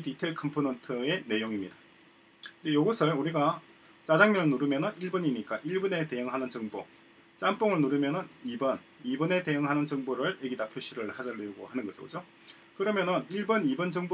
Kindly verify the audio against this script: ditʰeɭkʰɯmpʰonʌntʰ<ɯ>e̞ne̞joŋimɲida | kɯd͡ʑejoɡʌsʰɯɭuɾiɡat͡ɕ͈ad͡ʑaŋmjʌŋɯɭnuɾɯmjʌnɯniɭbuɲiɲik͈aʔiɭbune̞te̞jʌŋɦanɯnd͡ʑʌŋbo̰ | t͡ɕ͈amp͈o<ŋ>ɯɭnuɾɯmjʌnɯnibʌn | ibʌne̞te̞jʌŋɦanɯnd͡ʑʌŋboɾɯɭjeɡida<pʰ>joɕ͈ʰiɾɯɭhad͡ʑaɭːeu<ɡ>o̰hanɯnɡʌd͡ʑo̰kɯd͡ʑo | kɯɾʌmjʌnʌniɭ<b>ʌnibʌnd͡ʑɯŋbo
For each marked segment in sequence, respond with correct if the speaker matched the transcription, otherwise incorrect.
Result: correct, correct, correct, correct, correct

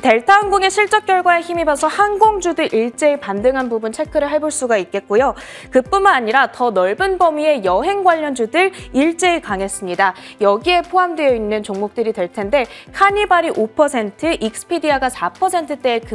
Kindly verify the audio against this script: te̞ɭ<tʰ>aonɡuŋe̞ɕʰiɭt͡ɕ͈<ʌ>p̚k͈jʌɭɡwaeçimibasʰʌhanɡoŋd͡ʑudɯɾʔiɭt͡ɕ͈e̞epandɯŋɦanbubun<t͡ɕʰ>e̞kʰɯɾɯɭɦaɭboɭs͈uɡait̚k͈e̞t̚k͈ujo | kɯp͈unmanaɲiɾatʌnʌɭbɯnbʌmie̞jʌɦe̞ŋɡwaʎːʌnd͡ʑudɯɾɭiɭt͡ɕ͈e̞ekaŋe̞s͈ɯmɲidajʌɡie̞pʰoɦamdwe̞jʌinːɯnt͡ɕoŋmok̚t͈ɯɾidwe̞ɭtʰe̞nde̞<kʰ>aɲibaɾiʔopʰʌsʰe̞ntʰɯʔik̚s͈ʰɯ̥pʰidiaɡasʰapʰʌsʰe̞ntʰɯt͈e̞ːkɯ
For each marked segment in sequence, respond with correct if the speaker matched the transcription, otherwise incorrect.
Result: correct, correct, correct, correct

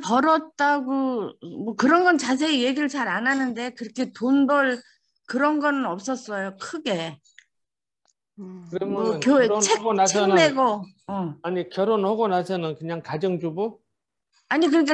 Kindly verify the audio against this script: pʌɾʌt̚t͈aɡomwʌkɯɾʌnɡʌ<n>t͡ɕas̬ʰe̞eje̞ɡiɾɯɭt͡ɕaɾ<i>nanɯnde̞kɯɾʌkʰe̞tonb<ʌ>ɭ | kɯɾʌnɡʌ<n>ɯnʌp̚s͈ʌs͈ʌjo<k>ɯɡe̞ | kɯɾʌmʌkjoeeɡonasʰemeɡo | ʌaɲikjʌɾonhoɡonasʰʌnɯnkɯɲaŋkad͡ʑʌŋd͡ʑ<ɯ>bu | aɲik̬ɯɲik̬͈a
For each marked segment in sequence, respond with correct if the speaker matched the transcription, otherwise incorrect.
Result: correct, incorrect: a, correct, correct, incorrect: kʰ, incorrect: u

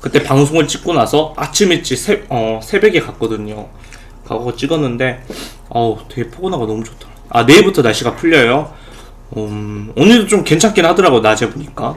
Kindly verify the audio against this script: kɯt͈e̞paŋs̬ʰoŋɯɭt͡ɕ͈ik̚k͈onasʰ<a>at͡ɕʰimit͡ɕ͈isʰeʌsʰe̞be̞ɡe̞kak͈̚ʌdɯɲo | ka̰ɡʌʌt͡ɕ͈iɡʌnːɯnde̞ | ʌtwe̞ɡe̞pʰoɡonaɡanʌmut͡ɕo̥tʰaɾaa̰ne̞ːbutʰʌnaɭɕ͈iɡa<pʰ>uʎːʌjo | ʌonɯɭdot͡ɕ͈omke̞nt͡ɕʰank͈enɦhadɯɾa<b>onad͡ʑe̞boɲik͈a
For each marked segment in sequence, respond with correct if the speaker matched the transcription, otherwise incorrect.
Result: incorrect: ʌ, correct, incorrect: ɡ

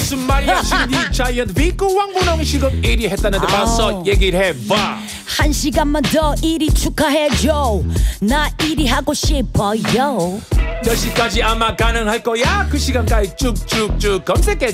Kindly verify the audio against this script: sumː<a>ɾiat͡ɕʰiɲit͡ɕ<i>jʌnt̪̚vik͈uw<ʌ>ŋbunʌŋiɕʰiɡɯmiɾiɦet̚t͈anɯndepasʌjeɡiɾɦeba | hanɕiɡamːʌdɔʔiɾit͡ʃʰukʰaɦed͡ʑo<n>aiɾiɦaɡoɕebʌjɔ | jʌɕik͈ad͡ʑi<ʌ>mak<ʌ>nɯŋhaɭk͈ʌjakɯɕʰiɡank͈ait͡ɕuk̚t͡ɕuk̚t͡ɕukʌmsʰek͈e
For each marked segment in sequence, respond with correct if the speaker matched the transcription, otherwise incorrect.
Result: correct, incorrect: a, incorrect: a, correct, incorrect: a, incorrect: a

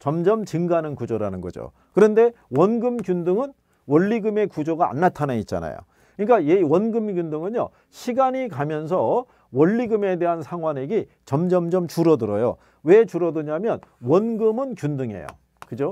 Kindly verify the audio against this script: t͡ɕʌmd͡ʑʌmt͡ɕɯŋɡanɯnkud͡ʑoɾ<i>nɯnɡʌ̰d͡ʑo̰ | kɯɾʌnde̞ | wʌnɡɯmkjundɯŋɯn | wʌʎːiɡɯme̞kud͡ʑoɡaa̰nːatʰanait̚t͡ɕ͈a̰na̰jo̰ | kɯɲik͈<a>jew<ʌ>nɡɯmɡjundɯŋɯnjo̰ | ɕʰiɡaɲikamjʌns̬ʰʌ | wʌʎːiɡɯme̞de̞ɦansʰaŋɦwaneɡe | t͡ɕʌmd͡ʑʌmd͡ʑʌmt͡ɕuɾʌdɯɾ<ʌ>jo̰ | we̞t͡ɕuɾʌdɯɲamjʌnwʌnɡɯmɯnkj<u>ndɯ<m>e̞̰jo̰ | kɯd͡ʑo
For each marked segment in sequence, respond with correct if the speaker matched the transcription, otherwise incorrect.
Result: incorrect: a, correct, correct, correct, correct, incorrect: ŋ

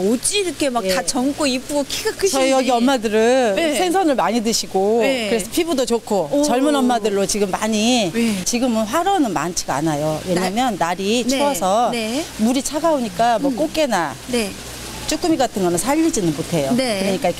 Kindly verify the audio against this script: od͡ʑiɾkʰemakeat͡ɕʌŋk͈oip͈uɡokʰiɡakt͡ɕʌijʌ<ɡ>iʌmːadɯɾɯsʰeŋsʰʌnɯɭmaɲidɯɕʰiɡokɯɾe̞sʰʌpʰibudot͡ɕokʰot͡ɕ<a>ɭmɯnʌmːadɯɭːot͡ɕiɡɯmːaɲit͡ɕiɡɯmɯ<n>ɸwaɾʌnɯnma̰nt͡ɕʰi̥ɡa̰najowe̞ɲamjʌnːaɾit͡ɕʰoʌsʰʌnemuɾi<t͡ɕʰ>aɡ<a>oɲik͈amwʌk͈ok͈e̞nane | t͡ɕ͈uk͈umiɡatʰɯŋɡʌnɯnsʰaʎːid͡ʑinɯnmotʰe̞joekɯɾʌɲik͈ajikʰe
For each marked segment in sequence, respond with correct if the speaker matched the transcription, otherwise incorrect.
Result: correct, incorrect: ʌ, correct, correct, correct

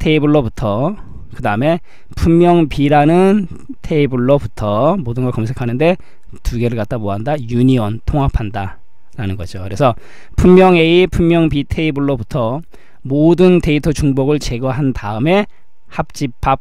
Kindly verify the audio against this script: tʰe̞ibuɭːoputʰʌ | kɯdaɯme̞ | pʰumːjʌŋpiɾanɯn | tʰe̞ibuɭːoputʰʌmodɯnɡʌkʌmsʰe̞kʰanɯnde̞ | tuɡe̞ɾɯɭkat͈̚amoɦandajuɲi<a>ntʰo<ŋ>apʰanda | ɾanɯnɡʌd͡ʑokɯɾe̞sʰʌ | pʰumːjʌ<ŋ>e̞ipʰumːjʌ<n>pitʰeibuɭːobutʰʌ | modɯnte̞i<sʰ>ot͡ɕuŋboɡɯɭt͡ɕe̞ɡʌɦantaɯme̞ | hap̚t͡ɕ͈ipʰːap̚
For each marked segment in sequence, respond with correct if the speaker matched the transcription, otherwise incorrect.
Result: incorrect: ʌ, correct, correct, incorrect: ŋ, incorrect: tʰ

